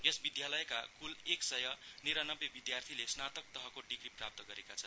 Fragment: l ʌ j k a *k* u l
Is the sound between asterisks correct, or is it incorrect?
correct